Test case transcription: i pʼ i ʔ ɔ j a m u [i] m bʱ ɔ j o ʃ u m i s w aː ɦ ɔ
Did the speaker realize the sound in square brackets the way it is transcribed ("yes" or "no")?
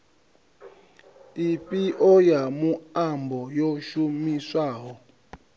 no